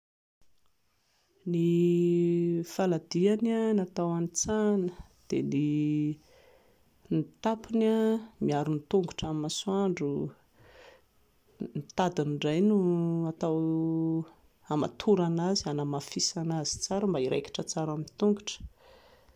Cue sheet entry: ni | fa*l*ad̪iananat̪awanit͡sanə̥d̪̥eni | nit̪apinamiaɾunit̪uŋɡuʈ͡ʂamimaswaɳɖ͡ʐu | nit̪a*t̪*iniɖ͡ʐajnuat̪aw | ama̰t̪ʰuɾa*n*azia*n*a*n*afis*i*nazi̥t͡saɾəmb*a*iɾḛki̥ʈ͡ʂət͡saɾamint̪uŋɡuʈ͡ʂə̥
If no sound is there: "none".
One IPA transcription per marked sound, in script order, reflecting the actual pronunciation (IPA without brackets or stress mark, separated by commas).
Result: l, d̪, n, n, m, a, a